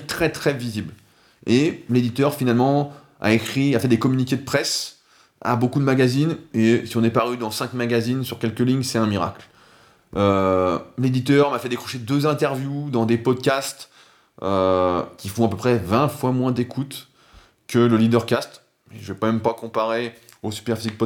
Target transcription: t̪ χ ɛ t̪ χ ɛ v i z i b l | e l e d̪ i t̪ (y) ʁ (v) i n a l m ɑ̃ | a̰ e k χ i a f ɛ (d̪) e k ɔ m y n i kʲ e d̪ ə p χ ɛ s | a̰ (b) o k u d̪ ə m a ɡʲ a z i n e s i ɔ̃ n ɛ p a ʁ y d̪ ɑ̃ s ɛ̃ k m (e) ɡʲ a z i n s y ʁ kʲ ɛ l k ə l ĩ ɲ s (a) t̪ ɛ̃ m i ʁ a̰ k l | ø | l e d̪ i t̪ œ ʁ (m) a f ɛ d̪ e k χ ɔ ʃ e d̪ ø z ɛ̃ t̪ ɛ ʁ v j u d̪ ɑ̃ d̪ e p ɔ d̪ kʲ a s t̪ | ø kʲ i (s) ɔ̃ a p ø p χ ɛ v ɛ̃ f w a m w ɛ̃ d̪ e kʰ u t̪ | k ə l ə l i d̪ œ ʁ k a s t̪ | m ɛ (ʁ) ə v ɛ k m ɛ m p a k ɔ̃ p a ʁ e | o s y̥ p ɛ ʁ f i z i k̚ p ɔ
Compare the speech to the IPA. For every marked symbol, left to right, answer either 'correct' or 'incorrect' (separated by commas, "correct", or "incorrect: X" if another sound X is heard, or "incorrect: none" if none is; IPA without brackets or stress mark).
incorrect: œ, incorrect: f, correct, correct, incorrect: a, incorrect: ɛ, correct, incorrect: f, incorrect: ʒ